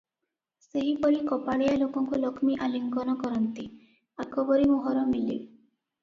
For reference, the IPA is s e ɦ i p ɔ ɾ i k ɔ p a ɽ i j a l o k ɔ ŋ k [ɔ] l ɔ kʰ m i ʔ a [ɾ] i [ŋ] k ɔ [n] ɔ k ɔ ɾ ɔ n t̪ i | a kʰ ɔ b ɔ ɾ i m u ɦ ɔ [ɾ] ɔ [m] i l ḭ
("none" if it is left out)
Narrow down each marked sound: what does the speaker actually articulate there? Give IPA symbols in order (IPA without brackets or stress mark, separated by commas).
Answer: u, l, ŋ, n, ɾ, m